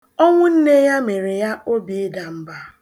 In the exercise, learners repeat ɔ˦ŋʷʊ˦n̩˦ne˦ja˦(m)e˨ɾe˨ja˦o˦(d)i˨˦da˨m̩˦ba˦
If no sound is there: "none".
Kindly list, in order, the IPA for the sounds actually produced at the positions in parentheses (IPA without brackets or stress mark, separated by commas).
m, b